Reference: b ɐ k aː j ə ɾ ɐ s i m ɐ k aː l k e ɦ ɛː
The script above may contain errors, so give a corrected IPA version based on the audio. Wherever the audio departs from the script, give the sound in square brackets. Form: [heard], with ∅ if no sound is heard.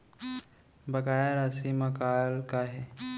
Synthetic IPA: b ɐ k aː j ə ɾ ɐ s i m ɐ k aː l k [a] ɦ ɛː

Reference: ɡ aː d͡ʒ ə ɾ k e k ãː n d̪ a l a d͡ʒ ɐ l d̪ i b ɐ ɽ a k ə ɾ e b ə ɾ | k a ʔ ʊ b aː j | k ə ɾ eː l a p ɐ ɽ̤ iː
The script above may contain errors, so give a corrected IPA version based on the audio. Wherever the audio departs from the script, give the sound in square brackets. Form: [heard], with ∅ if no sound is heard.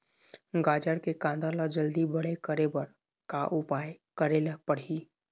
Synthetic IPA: ɡ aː d͡ʒ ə ɾ k e k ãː n d̪ a l a d͡ʒ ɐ l d̪ i b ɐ ɽ [e] k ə ɾ e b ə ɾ | k a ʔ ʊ [p] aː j | k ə ɾ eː l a p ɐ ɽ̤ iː

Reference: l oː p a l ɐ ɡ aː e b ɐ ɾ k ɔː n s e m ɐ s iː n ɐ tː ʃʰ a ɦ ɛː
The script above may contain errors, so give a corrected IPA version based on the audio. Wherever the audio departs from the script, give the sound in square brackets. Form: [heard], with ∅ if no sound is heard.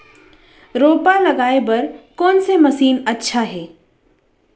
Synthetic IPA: [ɾ] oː p a l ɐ ɡ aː e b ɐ ɾ k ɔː n s e m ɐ s iː n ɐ tː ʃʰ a ɦ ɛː

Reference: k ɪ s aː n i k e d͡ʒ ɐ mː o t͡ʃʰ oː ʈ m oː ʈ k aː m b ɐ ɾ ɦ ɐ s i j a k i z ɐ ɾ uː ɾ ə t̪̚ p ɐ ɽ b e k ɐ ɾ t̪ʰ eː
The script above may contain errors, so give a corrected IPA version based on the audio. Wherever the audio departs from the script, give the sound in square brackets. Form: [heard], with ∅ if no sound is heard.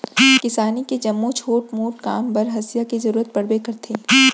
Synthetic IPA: k ɪ s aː n i k e d͡ʒ ɐ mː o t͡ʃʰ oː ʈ m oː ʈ k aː m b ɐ ɾ ɦ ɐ s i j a k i z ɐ ɾ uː ɾ ə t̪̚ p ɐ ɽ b e k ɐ ɾ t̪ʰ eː

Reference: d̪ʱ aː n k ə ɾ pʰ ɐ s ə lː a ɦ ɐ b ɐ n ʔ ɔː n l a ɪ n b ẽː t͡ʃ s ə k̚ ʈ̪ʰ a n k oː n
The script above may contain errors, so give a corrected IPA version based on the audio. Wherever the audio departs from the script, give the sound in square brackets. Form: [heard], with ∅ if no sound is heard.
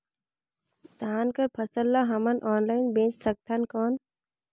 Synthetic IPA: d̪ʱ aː n k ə ɾ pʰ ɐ s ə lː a ɦ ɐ [m] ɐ n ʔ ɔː n l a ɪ n b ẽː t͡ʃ s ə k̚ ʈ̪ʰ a n k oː n

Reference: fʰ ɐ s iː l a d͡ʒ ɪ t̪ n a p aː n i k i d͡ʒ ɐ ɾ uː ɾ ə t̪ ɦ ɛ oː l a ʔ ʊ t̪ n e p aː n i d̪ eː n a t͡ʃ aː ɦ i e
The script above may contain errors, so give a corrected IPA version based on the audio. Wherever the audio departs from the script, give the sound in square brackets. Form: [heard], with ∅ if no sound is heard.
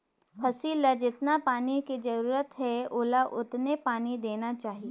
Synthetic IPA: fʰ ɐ s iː l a d͡ʒ ɪ t̪ n a p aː n i k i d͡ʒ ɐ ɾ uː ɾ ə t̪ ɦ ɛ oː l a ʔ ʊ t̪ n e p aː n i d̪ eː n a t͡ʃ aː ɦ i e

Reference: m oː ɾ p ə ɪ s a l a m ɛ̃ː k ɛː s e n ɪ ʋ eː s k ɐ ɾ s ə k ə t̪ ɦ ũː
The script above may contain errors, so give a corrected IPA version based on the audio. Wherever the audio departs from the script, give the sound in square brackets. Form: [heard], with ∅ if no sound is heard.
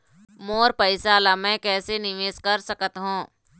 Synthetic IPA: m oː ɾ p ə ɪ s a l a m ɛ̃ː k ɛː s e n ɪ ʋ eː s k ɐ ɾ s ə k ə t̪ ɦ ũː

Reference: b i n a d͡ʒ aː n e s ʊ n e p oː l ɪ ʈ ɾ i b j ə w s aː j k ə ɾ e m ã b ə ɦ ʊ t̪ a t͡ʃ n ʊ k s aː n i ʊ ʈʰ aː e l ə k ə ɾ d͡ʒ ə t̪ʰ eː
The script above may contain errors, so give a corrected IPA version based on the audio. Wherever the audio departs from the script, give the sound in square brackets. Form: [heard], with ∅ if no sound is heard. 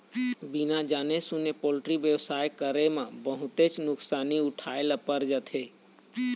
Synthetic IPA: b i n a d͡ʒ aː n e s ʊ n e p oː l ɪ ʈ ɾ i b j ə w s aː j k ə ɾ e m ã b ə ɦ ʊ t̪ [e] t͡ʃ n ʊ k s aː n i ʊ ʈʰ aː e l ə [p] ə ɾ d͡ʒ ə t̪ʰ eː

